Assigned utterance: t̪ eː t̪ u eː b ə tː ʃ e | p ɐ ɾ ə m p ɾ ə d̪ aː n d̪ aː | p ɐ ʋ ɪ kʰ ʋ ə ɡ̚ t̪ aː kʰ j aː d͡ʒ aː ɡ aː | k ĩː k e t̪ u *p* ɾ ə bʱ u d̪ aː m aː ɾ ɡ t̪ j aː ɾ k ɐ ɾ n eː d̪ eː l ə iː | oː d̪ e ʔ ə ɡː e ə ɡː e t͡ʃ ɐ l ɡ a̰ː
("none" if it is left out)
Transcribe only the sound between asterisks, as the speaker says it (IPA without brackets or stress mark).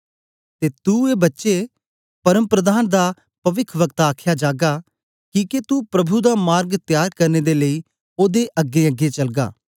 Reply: p